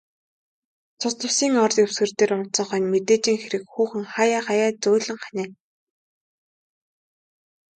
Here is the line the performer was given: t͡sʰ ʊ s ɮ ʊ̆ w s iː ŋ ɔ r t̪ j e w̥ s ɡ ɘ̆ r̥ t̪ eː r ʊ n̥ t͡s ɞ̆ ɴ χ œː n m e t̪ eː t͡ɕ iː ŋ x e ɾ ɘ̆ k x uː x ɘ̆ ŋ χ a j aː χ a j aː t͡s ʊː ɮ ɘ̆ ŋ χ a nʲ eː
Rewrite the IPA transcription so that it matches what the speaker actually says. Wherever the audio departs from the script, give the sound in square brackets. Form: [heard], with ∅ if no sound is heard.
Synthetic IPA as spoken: t͡sʰ ʊ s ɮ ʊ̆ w s iː ŋ ɔ r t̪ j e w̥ s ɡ ɘ̆ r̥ t̪ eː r ʊ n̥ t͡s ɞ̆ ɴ χ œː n m e t̪ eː t͡ɕ iː ŋ x e ɾ ɘ̆ k x uː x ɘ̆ ŋ χ a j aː χ a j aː t͡s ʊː ɮ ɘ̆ ŋ χ a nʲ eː